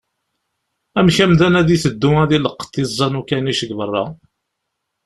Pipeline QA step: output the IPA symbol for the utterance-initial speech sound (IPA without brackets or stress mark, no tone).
æ